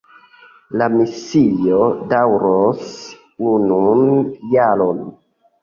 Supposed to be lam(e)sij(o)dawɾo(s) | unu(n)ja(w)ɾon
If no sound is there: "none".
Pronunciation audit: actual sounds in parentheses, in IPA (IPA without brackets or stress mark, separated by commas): i, o, s, n, none